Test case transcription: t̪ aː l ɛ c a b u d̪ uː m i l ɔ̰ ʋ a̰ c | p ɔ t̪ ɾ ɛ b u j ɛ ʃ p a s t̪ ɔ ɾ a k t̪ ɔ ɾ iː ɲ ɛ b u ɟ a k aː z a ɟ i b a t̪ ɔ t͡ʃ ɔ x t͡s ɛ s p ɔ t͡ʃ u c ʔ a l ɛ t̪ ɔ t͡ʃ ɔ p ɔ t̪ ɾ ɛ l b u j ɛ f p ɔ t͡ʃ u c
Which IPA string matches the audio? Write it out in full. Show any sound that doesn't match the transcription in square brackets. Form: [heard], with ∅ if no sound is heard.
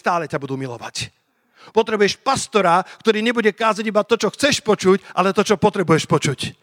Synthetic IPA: t̪ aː l ɛ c a b u d̪ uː m i l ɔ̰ ʋ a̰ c | p ɔ t̪ ɾ ɛ b u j ɛ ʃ p a s t̪ ɔ ɾ a k t̪ ɔ ɾ iː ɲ ɛ b u ɟ [ɛ] k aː z a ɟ i b a t̪ ɔ t͡ʃ ɔ x t͡s ɛ [ʃ] p ɔ t͡ʃ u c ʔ a l ɛ t̪ ɔ t͡ʃ ɔ p ɔ t̪ ɾ ɛ [∅] b u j ɛ [ʃ] p ɔ t͡ʃ u c